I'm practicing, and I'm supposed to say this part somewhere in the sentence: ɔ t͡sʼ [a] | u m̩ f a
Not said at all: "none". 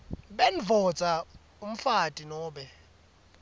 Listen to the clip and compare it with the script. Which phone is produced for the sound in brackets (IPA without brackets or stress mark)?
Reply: a